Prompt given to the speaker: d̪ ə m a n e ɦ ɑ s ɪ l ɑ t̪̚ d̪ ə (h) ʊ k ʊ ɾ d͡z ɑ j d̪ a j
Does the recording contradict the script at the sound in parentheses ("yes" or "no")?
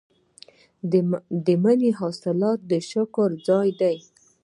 yes